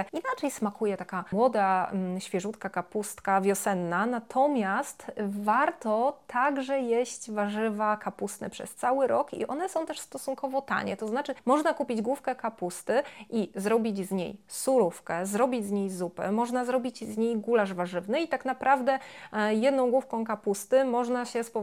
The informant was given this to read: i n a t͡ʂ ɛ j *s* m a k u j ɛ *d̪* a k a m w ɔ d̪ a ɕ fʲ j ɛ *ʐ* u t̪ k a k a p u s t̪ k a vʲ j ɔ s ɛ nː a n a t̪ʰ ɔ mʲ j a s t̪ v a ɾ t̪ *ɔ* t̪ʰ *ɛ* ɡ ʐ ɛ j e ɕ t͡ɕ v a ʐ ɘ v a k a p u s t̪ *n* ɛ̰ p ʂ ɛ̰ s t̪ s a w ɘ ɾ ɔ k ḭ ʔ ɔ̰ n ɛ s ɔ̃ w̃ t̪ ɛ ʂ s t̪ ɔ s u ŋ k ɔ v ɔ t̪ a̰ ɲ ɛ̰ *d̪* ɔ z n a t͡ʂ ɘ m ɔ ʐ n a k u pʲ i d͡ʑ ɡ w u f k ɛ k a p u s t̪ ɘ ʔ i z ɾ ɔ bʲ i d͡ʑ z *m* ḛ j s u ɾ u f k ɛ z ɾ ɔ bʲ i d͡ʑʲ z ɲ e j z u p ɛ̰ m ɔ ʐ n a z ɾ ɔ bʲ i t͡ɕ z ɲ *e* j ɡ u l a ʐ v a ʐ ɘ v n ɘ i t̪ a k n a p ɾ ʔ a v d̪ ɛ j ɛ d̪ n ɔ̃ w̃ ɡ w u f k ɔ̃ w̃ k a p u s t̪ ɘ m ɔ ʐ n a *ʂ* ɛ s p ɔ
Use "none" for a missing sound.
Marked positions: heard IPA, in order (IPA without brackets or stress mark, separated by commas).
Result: s, t̪, ʐ, ɔ, a, n, t̪, ɲ, e, ɕ